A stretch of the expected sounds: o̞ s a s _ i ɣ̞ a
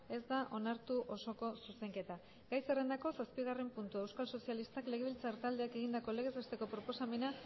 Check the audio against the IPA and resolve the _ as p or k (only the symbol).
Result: p